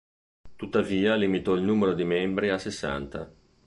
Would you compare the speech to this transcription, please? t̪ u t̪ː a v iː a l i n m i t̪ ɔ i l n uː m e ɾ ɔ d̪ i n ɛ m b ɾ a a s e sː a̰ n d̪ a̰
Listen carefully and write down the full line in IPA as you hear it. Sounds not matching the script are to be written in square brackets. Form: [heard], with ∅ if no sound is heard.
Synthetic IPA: t̪ u t̪ː a v iː a l i [∅] m i t̪ ɔ i l n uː m e ɾ [o] d̪ i [m] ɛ m b ɾ [i] a s e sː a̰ n [t̪] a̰